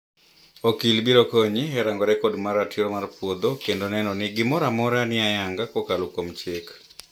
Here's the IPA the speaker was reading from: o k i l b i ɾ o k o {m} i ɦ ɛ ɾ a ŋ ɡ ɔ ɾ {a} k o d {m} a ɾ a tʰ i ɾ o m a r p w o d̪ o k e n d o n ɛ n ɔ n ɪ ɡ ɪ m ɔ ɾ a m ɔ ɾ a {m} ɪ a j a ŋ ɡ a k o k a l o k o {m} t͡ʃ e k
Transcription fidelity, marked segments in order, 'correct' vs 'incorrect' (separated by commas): incorrect, incorrect, correct, incorrect, correct